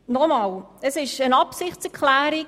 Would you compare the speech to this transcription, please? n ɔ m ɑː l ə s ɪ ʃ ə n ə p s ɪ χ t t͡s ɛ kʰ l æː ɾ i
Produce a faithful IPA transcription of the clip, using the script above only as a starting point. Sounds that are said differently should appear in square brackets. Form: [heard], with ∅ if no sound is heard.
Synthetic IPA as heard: n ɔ m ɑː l ə s ɪ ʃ ə n [ɑ] p s ɪ χ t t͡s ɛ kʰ l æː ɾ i